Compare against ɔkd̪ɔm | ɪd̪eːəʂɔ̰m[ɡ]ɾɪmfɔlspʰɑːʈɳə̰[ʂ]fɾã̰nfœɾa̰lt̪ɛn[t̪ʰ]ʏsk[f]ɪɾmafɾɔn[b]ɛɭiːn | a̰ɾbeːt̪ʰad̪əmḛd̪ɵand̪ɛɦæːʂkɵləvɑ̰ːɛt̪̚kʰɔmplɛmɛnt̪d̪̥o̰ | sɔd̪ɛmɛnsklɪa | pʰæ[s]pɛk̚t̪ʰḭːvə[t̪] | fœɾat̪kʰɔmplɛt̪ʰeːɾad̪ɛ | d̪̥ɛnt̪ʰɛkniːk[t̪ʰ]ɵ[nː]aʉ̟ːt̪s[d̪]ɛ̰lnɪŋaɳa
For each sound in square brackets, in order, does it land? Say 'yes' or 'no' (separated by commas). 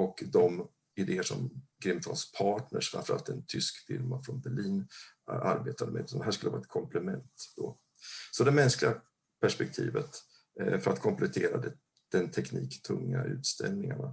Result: yes, yes, yes, yes, yes, no, yes, yes, no, no